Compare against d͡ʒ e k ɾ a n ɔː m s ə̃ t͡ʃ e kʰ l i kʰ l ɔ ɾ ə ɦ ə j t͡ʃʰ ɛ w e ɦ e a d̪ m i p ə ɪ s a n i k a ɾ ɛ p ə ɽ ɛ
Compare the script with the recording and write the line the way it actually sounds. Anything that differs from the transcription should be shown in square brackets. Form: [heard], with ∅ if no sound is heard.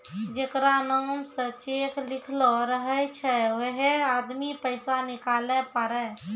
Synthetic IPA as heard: d͡ʒ e k ɾ a n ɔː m s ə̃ t͡ʃ e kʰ l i kʰ l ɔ ɾ ə ɦ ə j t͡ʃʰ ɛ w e ɦ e a d̪ m i p ə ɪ s a n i k a [l] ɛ p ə [ɾ] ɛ